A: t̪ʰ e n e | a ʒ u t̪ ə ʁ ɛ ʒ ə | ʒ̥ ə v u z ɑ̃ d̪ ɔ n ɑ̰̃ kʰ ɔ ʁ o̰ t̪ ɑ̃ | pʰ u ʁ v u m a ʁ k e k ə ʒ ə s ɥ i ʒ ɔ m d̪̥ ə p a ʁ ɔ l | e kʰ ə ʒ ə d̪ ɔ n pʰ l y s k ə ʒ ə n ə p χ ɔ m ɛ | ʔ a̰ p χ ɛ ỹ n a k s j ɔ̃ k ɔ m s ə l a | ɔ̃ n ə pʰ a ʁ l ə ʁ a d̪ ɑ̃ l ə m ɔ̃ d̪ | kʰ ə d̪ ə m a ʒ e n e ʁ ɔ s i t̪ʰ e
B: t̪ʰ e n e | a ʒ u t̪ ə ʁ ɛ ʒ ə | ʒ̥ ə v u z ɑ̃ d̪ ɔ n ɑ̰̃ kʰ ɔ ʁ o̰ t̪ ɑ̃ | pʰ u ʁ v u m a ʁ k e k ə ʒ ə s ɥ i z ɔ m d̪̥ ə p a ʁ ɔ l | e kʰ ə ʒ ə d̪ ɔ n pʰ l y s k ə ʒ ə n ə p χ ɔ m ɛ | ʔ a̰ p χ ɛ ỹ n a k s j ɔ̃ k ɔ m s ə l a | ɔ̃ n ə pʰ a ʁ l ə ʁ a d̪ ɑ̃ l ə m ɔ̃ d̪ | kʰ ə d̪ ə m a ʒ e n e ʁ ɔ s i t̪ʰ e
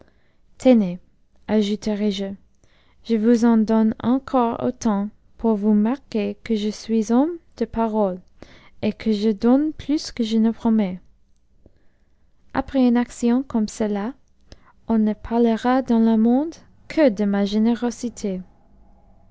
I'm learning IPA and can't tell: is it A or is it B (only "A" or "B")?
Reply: B